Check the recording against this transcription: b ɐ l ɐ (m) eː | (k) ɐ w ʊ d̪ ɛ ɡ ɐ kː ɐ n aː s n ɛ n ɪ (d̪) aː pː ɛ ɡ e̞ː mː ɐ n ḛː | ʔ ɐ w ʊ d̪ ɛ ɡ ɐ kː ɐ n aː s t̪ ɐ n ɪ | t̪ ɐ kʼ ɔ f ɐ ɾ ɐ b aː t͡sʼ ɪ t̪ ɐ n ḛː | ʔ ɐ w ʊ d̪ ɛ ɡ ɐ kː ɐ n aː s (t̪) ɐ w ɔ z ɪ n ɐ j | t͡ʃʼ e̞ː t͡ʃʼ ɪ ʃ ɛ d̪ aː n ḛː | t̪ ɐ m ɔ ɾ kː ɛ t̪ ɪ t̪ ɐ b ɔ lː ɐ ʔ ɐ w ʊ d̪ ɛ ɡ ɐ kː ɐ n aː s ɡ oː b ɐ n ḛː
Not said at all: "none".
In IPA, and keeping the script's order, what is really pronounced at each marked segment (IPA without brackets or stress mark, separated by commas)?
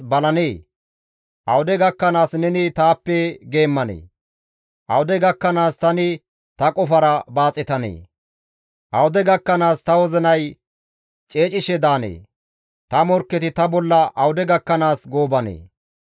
n, ʔ, t̪, t̪